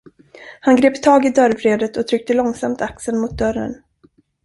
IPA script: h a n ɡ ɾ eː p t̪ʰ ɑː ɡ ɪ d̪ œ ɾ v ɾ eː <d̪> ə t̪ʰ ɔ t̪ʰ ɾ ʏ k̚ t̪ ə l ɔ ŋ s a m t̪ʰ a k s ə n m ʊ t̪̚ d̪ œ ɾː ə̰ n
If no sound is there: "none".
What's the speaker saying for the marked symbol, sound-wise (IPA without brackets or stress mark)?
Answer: d̪